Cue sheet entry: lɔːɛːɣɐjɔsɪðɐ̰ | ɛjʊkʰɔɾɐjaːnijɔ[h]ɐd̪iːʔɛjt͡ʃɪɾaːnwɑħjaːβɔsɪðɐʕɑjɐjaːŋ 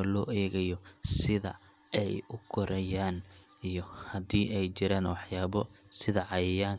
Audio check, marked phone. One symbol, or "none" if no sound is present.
h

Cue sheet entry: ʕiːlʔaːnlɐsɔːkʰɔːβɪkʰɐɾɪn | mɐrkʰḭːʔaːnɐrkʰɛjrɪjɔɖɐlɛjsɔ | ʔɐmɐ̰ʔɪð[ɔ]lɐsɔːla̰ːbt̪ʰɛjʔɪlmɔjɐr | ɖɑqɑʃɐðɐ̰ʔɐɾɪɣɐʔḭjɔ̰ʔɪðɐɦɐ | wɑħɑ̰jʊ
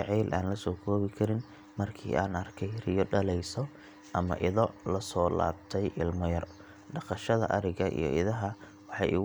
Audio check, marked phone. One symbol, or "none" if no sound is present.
ɔ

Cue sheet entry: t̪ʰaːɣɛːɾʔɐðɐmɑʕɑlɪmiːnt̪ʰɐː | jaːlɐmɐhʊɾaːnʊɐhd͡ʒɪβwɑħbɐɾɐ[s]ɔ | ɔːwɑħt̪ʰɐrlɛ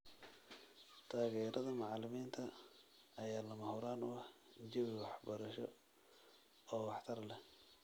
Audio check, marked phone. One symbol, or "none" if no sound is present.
ʃ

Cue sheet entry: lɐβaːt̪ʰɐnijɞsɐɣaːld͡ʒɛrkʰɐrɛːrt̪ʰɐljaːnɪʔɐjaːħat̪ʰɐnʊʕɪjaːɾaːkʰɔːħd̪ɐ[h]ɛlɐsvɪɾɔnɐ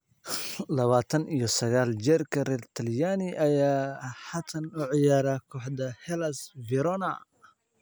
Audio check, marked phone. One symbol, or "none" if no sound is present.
h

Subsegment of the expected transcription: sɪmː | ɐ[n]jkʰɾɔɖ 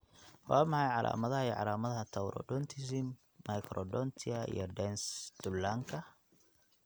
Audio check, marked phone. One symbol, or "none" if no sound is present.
none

